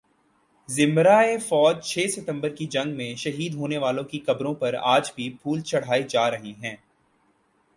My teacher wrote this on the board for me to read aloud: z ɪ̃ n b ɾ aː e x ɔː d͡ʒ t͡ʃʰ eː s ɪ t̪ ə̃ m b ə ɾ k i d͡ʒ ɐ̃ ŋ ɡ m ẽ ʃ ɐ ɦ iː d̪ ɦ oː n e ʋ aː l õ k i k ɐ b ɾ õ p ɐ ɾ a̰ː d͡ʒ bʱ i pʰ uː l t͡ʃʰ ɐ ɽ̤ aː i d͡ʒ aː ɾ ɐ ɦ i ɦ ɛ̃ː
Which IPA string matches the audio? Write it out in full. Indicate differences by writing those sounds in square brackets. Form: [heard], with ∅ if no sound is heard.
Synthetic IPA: z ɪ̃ [m] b ɾ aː e [f] ɔː d͡ʒ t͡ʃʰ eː s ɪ t̪ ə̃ m b ə ɾ k i d͡ʒ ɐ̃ ŋ ɡ m ẽ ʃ ɐ ɦ iː d̪ ɦ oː n e ʋ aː l õ k i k ɐ b ɾ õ p ɐ ɾ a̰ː d͡ʒ bʱ i pʰ uː l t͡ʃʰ ɐ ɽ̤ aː i d͡ʒ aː ɾ ɐ ɦ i ɦ ɛ̃ː